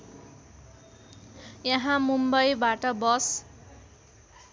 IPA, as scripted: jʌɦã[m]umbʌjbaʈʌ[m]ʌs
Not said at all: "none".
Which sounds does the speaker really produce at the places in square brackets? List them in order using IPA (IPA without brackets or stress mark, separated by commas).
m, b